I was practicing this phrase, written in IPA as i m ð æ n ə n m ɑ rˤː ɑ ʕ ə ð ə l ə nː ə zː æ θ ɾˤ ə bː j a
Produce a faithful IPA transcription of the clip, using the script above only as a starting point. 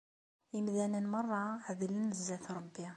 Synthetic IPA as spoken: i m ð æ n ə n m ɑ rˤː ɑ ʕ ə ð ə l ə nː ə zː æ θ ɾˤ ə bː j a